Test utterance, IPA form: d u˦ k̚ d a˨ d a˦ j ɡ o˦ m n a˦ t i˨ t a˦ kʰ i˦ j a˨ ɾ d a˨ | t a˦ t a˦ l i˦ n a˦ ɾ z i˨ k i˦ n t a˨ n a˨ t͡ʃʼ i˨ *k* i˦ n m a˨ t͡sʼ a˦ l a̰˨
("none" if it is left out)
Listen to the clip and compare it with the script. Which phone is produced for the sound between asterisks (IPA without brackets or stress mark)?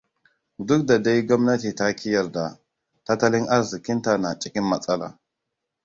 k